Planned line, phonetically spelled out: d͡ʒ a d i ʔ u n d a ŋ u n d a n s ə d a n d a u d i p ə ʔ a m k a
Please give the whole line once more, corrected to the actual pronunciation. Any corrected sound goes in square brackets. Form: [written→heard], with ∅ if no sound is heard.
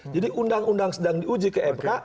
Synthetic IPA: d͡ʒ a d i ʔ u n d a ŋ u n d a [n→ŋ] s ə d a [n→ŋ] d [a→i] u [d→d͡ʒ] i [p→k] ə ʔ [a→ɛ] m k a